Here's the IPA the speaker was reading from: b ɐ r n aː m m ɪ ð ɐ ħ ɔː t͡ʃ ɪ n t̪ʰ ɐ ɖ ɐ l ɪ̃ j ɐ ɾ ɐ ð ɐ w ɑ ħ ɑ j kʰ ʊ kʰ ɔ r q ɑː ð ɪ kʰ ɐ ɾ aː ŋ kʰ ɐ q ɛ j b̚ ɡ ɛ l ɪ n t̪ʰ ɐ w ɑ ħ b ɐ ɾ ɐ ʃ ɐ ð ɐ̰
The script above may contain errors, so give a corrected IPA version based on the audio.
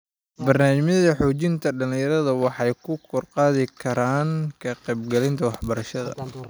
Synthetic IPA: b ɐ r n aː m m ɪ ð ɐ ħ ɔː t͡ʃ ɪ n t̪ʰ ɐ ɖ ɐ l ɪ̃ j ɐ ɾ ɐ ð ɐ w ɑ ħ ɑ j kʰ ʊ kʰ ɔ r q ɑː ð ɪ kʰ ɐ ɾ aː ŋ kʰ ɐ q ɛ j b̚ ɡ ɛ l ɪ n t̪ʰ ɐ w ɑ ħ b ɐ ɾ ɐ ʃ ɐ ð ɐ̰

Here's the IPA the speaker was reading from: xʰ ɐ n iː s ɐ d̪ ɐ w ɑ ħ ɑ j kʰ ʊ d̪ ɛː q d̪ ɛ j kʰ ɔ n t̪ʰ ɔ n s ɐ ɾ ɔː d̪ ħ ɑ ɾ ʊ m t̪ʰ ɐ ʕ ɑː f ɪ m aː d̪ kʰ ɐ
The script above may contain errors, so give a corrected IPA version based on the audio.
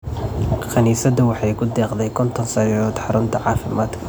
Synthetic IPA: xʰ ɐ n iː s ɐ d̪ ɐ w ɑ ħ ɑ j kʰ ʊ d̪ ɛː q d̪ ɛ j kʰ ɔ n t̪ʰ ɔ n s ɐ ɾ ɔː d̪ ħ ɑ ɾ ʊ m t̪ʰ ɐ ʕ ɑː f ɪ m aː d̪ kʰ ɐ

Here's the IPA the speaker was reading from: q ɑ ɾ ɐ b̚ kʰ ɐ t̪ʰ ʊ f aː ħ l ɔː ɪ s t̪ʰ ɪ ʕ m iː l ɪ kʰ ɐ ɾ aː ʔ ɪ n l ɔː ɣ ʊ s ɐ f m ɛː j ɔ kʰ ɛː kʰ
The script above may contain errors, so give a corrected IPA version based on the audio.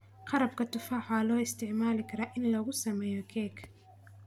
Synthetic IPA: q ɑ ɾ ɐ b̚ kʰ ɐ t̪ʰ ʊ f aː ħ l ɔː ɪ s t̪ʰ ɪ ʕ m aː l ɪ kʰ ɐ ɾ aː ʔ ɪ n l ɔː ɣ ʊ s ɐ m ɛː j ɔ kʰ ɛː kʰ

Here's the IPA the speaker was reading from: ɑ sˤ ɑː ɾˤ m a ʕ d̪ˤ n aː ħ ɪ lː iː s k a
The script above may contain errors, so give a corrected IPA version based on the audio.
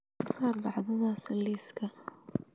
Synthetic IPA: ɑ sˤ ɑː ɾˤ b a ʕ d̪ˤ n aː s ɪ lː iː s k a

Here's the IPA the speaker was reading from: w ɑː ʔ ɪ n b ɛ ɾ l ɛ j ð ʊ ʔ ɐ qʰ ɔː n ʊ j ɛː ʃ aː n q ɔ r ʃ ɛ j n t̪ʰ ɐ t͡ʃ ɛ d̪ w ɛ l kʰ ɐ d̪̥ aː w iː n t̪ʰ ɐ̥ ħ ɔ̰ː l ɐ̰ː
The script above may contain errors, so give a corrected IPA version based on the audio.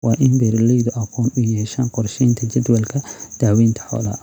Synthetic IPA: w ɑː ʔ ɪ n b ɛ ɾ l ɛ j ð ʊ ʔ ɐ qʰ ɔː n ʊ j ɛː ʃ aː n q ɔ r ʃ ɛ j n t̪ʰ ɐ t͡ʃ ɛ d̪ w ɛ l kʰ ɐ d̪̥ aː w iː n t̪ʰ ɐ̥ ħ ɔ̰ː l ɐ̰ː

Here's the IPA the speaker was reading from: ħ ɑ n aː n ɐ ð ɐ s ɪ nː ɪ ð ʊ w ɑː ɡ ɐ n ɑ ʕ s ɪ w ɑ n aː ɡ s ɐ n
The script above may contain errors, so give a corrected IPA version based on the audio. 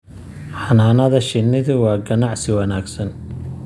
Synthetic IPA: ħ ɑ n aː n ɐ ð ɐ ʃ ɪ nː ɪ ð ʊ w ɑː ɡ ɐ n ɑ ʕ s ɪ w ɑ n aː ɡ s ɐ n

